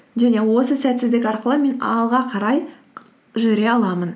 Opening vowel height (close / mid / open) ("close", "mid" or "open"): open